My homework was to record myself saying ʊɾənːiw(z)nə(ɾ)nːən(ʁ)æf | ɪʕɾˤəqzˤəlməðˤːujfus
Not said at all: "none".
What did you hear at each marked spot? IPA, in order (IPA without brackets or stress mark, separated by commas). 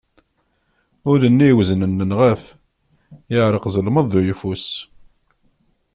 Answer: z, none, ʁ